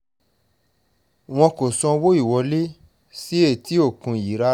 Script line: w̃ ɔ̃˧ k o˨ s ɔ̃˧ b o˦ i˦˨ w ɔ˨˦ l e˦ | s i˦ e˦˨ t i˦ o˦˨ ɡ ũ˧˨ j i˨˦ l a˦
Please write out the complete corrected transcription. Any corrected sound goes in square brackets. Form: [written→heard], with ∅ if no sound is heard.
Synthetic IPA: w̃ ɔ̃˧ k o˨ s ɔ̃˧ [b→w] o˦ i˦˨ w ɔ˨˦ l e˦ | s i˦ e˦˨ t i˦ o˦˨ [ɡ→k] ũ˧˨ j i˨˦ [l→ɾ] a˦